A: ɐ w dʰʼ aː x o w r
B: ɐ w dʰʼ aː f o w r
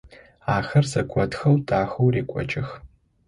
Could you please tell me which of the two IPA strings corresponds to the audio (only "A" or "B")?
A